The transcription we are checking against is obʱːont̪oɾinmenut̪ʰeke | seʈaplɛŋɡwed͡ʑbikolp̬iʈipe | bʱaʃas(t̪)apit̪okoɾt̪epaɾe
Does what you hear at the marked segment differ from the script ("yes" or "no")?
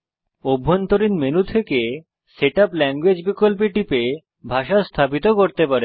yes